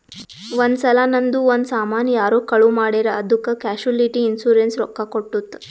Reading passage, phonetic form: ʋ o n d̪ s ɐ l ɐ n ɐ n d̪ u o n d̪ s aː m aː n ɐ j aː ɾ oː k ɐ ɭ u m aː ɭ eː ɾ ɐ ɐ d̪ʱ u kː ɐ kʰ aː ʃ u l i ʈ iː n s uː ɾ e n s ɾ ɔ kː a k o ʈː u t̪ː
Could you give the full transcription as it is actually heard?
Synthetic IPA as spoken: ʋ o n d̪ s ɐ l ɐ n ɐ n d̪ u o n d̪ s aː m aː n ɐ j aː ɾ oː k ɐ ɭ u m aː ɽ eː ɾ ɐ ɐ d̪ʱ u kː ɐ k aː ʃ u l i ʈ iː n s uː ɾ e n s ɾ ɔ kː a k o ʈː u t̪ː